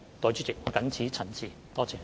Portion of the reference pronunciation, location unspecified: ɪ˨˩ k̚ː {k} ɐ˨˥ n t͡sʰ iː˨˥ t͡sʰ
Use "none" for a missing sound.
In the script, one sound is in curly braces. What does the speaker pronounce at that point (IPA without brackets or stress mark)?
k